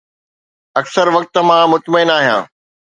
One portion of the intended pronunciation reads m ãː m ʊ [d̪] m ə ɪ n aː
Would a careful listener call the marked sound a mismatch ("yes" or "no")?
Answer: yes